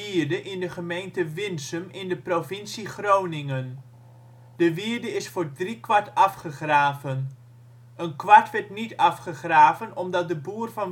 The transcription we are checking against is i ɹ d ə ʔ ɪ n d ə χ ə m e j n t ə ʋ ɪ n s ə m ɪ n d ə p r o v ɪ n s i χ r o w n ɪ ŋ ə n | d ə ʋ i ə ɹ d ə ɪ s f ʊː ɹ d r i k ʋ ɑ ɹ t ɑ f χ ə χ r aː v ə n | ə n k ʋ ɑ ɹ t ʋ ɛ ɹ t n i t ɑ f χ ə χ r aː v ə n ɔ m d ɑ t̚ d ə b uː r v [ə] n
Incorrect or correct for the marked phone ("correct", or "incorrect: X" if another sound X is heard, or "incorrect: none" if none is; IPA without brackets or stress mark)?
incorrect: ɑ